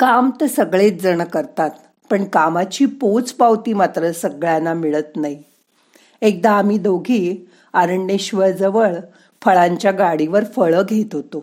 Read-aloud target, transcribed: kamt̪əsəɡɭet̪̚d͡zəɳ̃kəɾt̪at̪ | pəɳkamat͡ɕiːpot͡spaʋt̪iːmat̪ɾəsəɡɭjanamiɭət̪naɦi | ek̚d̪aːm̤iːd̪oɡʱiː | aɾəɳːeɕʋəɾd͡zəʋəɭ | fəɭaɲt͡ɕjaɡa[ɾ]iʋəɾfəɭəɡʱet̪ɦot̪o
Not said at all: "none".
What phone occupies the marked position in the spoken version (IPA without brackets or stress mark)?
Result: ɽ